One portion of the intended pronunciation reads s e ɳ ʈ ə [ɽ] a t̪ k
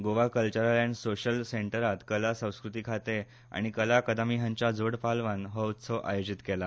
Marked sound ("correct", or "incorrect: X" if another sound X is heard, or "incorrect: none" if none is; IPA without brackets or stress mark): incorrect: ɾ